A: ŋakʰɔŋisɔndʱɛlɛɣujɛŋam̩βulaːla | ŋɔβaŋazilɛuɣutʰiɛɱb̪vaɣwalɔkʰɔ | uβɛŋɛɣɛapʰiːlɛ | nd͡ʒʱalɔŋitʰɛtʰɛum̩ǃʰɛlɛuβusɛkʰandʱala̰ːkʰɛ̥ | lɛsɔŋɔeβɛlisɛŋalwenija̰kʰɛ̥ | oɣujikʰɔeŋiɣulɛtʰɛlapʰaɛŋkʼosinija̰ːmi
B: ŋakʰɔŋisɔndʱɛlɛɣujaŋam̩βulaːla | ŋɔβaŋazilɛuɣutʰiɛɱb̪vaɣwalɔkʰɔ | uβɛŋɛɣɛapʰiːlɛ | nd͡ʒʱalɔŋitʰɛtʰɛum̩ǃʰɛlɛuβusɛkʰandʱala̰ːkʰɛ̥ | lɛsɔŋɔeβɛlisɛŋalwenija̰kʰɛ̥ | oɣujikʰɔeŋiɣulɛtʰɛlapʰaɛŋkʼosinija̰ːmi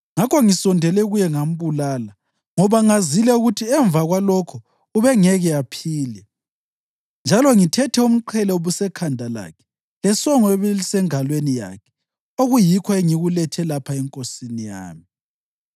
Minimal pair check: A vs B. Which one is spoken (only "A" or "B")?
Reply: A